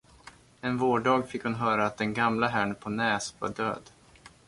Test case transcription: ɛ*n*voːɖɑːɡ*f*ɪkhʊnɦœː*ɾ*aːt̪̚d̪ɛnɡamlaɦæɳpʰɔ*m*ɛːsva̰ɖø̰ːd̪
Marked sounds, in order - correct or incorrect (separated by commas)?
correct, correct, correct, incorrect